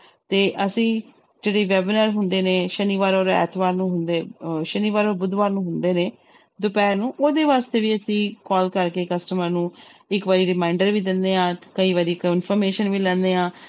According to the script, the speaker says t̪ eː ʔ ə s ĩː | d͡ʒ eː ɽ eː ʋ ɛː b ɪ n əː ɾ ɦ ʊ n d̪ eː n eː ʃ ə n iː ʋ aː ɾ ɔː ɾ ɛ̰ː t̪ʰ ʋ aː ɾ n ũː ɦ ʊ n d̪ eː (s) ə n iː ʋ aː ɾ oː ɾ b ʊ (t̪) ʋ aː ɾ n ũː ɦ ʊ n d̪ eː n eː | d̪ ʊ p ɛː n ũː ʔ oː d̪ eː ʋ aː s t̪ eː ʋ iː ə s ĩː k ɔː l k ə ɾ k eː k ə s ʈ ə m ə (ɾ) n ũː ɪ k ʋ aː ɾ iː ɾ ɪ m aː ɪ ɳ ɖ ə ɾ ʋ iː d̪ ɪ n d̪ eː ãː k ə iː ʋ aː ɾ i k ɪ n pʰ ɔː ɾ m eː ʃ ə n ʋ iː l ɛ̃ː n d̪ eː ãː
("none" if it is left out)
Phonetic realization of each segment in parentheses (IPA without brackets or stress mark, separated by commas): ʃ, d̪, ɾ